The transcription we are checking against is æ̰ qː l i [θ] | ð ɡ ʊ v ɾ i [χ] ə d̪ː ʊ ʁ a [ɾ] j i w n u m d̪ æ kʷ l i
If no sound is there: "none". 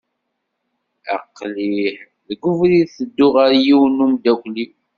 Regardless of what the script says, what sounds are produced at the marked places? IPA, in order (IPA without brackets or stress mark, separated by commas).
ħ, θ, ɾ